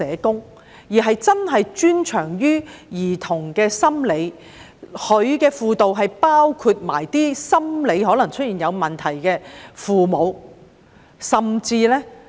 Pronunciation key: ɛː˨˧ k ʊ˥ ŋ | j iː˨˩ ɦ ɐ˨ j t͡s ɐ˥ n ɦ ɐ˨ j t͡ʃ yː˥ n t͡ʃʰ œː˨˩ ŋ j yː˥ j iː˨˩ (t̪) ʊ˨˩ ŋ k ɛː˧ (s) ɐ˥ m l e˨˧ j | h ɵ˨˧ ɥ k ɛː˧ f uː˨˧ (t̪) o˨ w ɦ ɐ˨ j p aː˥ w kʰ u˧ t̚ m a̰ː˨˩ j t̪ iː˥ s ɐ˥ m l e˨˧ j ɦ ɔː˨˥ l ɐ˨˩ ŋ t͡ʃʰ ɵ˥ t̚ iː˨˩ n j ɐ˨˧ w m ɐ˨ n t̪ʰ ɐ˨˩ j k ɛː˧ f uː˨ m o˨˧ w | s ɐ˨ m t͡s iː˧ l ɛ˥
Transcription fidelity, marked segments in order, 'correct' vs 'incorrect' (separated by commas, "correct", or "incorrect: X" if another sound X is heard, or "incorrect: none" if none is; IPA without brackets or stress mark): incorrect: t̪ʰ, correct, correct